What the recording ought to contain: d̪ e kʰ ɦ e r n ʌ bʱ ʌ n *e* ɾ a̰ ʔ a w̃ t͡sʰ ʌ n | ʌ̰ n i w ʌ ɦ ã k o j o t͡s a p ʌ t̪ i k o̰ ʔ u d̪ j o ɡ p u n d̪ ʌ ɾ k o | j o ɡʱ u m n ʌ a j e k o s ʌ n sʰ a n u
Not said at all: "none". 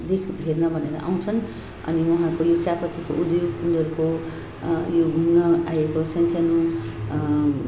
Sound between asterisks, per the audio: e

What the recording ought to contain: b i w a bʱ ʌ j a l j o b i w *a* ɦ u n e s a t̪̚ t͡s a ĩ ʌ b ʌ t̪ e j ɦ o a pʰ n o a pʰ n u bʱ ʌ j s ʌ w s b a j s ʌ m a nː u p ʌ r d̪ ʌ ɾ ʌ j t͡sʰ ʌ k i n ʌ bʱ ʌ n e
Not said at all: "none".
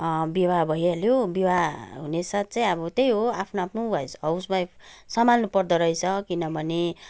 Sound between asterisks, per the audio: a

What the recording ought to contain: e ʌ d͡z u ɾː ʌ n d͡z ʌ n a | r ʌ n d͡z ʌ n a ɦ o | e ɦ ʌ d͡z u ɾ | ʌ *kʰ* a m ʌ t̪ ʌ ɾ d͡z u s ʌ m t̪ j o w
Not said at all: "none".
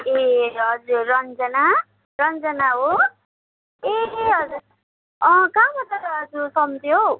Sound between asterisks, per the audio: k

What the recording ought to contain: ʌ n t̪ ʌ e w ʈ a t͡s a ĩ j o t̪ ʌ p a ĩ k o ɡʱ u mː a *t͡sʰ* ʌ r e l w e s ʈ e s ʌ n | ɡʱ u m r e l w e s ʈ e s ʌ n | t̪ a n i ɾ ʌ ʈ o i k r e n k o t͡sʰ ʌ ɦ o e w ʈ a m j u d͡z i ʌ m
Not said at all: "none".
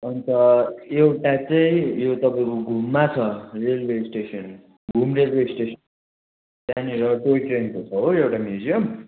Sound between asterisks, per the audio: t͡sʰ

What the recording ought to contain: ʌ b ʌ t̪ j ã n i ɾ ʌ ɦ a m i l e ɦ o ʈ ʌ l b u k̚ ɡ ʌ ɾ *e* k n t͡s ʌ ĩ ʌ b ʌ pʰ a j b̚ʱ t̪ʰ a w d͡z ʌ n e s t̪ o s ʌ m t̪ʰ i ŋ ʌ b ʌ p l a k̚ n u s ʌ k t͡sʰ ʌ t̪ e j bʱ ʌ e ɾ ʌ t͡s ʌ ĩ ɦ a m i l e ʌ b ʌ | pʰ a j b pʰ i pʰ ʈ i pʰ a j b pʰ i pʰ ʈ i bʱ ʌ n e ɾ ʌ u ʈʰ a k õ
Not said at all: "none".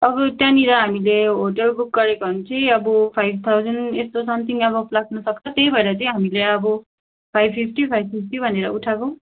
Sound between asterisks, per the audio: e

